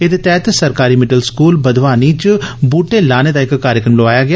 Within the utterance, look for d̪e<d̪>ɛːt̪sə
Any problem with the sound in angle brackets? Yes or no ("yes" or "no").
yes